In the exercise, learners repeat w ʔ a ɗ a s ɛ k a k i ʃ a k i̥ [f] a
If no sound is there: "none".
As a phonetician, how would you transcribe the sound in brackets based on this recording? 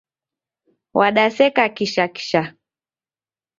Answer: ʃ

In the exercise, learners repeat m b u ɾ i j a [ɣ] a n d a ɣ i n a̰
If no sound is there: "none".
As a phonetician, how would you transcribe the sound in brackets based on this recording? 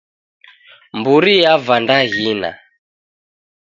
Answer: v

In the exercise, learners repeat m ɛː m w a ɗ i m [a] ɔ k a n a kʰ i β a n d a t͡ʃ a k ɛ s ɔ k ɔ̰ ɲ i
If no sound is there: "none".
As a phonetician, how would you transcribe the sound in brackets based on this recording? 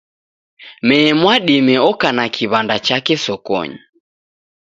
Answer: ɛ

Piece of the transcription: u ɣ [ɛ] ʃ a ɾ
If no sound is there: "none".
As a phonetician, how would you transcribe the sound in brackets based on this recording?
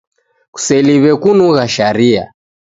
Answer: a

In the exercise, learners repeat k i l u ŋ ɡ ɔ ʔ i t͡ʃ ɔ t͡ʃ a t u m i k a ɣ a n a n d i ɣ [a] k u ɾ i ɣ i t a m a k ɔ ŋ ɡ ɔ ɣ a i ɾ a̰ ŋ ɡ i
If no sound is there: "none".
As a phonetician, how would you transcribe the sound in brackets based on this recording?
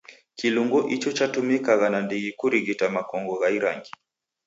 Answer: i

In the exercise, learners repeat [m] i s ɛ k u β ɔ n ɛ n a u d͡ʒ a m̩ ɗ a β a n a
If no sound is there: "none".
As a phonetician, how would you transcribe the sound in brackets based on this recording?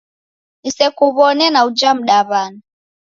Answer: n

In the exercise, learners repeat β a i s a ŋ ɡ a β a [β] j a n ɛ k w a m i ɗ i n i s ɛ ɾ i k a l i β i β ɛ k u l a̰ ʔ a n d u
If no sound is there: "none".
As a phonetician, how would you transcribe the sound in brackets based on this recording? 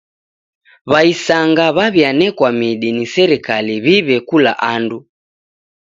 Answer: β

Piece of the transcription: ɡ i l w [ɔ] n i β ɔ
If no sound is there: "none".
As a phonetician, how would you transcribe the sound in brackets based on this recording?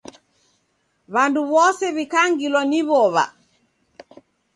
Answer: ɔ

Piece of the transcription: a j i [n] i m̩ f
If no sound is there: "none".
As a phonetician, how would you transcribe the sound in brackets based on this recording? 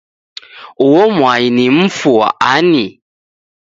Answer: n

